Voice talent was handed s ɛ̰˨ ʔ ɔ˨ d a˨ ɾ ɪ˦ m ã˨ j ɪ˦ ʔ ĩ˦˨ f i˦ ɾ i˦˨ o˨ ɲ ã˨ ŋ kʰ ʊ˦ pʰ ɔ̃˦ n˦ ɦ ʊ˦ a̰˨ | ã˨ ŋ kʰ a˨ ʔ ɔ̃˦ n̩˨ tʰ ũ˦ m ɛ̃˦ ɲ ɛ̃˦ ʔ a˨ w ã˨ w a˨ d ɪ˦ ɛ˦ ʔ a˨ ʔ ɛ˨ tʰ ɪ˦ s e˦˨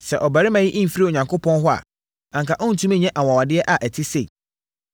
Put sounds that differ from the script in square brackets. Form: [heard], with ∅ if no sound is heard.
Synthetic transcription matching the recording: s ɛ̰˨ ʔ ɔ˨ [b] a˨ ɾ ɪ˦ m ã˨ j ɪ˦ ʔ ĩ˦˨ f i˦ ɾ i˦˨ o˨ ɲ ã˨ ŋ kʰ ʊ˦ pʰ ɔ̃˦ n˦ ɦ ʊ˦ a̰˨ | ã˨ ŋ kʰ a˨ ʔ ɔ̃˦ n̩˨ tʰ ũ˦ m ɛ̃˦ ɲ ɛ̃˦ ʔ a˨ w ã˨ w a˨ d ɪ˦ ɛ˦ ʔ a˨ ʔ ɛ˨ tʰ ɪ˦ s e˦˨